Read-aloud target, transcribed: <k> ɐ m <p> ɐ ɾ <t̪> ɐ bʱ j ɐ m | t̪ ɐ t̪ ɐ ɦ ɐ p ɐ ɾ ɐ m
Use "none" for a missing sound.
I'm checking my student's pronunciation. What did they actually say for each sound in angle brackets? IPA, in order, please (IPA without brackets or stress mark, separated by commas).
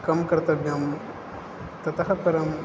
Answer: k, k, t̪